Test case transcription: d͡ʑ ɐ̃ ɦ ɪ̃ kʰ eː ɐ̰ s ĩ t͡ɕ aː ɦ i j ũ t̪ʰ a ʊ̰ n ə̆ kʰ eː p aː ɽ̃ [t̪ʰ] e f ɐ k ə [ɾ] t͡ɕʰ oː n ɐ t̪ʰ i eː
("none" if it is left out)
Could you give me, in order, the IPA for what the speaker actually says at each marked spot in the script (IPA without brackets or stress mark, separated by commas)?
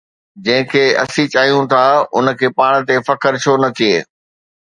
t̪, ɾ